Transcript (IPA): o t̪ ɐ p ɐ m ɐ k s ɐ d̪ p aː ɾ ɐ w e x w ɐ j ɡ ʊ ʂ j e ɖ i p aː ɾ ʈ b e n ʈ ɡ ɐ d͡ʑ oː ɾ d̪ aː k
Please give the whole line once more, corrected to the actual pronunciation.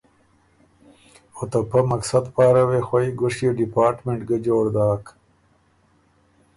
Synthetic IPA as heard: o t̪ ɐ p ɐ m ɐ k s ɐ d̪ p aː ɾ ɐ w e x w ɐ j ɡ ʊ ʂ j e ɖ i p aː ɾ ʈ m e ɳ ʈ ɡ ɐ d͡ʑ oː ɾ d̪ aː k